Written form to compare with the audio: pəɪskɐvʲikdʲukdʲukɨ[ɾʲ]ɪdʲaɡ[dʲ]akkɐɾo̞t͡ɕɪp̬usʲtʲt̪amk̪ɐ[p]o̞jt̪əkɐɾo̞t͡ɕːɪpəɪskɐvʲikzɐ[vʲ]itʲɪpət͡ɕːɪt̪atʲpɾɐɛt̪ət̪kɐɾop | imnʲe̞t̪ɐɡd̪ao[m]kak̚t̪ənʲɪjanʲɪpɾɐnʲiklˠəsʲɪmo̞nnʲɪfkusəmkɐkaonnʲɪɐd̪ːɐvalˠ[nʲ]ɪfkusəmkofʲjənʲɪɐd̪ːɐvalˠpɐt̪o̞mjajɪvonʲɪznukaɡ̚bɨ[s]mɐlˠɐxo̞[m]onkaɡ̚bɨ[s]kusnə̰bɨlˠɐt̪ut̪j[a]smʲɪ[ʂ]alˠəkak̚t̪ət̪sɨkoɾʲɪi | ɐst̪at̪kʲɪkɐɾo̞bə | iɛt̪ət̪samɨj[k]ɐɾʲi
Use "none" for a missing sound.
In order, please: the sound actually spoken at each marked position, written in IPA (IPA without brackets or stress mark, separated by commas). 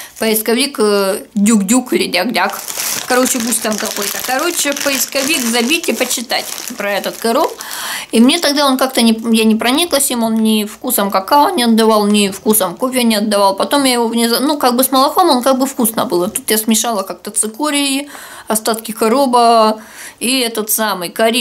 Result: lʲ, dʲ, k, bʲ, n, nʲ, s, m, f, a, ʂ, k